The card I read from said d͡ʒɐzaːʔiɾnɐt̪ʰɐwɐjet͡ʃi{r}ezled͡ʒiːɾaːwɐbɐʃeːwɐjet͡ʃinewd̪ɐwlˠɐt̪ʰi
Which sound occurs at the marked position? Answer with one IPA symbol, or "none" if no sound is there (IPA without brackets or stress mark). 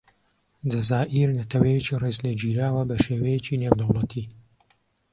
r